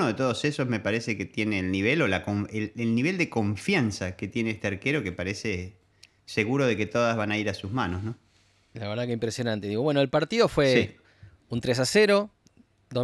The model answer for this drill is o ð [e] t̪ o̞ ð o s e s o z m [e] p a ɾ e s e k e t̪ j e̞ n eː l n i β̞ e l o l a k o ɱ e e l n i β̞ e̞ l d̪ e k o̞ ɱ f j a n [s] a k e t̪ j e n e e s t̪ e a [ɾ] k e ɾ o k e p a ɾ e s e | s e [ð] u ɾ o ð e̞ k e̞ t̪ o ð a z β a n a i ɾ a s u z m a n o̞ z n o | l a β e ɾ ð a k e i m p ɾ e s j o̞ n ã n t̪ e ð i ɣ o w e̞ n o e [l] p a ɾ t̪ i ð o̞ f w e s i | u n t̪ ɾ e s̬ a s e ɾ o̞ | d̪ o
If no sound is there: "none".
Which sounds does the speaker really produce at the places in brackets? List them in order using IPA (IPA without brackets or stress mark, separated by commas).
e, e, s, ɾ, ɣ, l